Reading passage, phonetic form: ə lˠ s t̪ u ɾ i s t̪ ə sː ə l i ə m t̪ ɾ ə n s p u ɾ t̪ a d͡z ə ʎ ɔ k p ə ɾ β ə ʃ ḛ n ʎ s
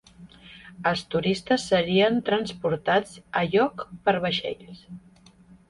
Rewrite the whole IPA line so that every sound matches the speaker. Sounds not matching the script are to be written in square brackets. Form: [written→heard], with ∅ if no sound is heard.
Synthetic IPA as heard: ə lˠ s t̪ u ɾ i s t̪ ə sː ə [l→ɾ] i ə [m→n] t̪ ɾ ə n s p u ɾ t̪ a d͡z ə ʎ ɔ k p ə ɾ β ə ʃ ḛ [n→∅] ʎ s